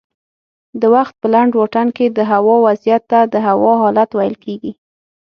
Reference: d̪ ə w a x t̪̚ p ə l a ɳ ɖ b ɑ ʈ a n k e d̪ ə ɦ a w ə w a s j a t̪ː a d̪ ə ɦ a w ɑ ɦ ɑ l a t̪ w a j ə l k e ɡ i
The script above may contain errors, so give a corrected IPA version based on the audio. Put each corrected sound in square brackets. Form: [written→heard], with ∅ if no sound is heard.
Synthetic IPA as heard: d̪ ə w a x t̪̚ p ə l a ɳ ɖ [b→w] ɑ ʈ a n k e d̪ ə ɦ a w [ə→ɑ] w a [s→z] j a t̪ː a d̪ ə ɦ a w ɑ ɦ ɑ l a t̪ w a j ə l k e ɡ i